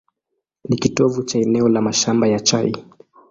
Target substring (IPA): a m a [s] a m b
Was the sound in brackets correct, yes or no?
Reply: no